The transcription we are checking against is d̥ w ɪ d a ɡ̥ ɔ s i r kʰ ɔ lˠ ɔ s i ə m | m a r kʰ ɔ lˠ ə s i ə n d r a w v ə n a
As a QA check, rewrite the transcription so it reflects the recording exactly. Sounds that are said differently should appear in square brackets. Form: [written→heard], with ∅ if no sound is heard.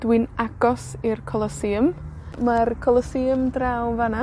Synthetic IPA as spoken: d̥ w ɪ [d→n] a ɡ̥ ɔ s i r kʰ ɔ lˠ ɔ s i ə m | m a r kʰ ɔ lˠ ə s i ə [n→m] d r a w v [ə→a] n a